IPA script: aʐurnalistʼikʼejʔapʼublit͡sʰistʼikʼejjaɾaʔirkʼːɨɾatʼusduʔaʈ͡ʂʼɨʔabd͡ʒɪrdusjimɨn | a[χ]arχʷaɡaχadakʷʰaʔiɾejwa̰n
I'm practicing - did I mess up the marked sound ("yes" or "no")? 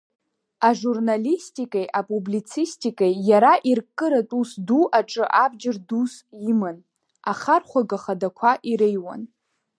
no